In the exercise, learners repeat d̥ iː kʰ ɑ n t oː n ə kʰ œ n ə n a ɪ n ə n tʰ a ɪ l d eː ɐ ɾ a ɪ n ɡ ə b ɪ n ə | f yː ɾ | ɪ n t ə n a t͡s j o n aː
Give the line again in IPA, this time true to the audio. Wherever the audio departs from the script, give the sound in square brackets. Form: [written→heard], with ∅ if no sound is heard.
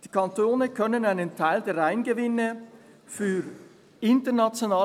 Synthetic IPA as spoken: d̥ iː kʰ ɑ n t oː n ə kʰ œ n ə n a ɪ n ə n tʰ a ɪ l d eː ɐ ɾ a ɪ n ɡ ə [b→v] ɪ n ə | f yː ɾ | ɪ n t ə n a t͡s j o n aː